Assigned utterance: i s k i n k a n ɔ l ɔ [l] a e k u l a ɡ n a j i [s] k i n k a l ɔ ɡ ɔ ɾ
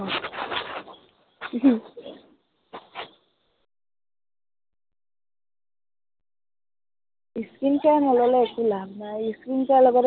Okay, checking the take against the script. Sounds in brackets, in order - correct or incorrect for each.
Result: correct, correct

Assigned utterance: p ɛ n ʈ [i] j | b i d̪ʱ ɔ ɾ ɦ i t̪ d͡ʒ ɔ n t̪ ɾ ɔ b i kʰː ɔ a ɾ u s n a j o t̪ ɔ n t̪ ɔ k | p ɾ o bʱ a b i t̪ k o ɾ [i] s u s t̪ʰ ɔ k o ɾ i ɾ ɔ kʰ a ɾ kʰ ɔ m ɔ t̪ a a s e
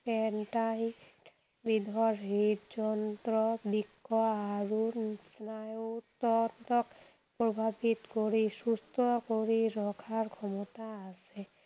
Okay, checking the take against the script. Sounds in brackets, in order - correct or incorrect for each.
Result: incorrect, correct

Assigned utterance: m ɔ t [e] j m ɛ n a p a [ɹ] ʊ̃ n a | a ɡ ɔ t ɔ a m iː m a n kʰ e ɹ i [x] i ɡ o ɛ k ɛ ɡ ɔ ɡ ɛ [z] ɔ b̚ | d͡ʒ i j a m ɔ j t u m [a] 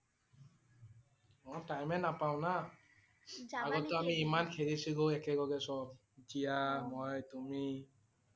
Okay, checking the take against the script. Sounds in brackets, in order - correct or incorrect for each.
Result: incorrect, incorrect, incorrect, incorrect, incorrect

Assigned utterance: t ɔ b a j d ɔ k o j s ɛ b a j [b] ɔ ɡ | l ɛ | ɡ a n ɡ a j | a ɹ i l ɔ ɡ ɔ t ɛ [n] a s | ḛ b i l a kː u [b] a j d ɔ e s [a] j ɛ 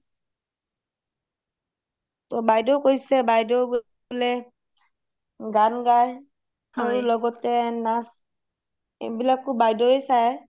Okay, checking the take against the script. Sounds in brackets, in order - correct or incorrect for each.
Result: incorrect, correct, correct, correct

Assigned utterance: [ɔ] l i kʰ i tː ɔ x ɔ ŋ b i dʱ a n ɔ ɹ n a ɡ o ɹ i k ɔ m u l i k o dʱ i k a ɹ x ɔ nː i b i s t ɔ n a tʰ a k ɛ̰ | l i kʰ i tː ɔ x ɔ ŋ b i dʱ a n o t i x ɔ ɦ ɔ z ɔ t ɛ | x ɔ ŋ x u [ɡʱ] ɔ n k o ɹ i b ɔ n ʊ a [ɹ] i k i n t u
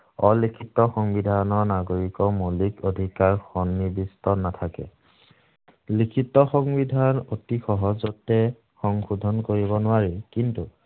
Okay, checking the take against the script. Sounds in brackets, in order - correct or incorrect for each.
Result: correct, incorrect, correct

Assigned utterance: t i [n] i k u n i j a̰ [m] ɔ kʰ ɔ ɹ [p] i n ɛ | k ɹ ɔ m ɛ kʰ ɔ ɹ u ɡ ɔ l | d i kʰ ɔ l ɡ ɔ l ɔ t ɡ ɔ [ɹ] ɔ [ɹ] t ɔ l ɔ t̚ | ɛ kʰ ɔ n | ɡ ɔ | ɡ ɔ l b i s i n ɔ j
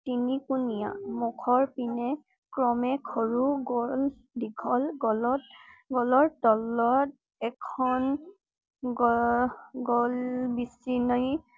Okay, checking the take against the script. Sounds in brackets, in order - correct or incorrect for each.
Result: correct, correct, correct, incorrect, correct

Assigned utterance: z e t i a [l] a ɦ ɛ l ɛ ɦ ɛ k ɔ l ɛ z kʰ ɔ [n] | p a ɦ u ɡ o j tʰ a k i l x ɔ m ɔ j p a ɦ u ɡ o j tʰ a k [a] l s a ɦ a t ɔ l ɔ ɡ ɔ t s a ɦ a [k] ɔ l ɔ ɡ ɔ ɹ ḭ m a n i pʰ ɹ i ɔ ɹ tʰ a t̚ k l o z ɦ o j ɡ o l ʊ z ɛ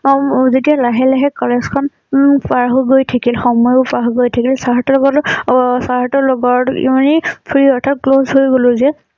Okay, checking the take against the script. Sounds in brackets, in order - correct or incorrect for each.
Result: correct, correct, incorrect, incorrect

